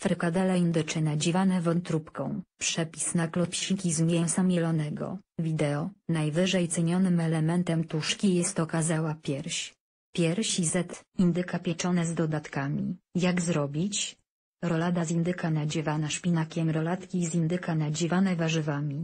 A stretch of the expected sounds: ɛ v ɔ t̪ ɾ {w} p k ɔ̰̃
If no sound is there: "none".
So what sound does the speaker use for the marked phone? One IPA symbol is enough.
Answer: u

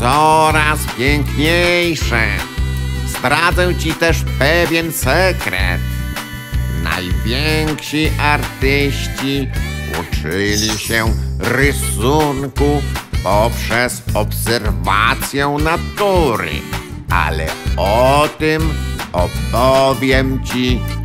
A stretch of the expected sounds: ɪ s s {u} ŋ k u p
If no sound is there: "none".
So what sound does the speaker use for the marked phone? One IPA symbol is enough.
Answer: u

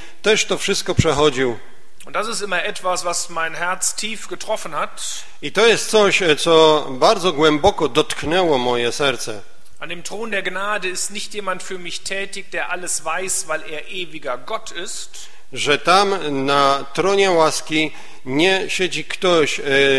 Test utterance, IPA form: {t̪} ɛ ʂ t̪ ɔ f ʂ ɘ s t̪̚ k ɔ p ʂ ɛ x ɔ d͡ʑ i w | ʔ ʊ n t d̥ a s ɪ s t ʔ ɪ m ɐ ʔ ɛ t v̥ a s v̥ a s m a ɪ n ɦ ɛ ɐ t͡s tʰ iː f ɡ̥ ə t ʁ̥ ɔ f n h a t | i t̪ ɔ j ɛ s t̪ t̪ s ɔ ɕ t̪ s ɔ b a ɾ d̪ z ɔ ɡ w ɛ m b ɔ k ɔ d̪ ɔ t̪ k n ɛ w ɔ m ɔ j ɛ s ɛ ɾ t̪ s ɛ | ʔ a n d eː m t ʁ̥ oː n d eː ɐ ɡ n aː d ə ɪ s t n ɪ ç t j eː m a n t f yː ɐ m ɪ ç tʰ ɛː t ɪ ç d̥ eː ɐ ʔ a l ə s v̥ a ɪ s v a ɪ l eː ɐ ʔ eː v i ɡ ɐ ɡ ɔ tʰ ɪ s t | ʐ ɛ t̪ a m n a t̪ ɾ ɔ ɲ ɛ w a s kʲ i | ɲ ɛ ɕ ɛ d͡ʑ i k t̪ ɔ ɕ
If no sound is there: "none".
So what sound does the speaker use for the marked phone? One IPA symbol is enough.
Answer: t̪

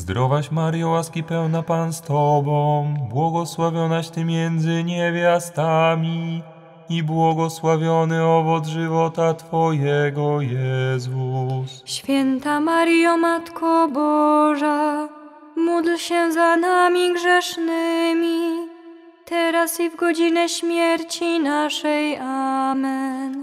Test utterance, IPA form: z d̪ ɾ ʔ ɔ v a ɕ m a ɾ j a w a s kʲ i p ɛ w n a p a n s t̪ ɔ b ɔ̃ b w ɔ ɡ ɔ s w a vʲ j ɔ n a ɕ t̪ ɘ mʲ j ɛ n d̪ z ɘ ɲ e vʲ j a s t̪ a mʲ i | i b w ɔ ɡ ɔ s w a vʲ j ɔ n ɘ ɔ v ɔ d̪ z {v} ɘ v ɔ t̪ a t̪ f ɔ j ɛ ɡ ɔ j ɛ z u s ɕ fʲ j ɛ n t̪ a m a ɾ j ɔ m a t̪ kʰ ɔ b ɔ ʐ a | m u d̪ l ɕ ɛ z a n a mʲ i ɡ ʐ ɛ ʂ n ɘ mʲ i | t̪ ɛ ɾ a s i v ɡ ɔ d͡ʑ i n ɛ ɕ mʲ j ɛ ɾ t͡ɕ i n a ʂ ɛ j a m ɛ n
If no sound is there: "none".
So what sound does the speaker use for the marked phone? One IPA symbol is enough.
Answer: ʐ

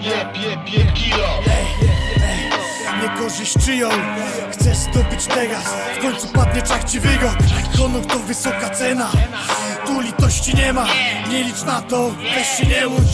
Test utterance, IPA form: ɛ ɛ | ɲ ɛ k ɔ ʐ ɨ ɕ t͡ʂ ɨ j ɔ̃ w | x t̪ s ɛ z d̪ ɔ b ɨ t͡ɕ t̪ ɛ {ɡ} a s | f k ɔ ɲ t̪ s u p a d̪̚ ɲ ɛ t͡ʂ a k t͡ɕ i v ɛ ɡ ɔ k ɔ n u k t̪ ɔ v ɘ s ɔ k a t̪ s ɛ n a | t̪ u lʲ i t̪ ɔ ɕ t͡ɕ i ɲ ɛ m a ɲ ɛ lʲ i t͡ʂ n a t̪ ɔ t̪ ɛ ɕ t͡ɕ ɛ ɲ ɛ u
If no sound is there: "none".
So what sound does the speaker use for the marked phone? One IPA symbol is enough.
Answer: ɡ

